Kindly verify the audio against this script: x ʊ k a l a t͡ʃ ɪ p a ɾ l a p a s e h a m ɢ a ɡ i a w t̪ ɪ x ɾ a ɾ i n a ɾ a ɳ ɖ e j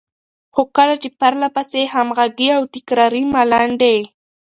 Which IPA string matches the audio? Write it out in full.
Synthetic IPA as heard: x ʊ k a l a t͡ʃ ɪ p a ɾ l a p a s e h a m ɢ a ɡ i a w t̪ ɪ k ɾ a ɾ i m a l a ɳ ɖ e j